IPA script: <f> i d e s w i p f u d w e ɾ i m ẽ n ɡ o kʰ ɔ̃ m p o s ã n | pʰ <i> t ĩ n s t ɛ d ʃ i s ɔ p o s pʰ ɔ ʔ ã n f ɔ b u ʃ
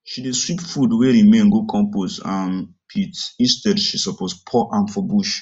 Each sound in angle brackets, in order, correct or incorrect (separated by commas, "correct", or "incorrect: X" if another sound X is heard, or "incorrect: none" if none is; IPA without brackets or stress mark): incorrect: ʃ, correct